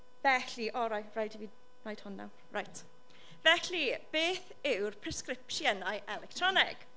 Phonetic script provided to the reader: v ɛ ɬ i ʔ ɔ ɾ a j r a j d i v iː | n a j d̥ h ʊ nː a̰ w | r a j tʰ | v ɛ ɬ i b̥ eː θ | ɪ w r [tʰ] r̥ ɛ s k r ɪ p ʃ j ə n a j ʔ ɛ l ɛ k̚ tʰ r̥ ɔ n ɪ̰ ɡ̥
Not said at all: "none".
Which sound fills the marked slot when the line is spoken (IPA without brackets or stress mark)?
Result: pʰ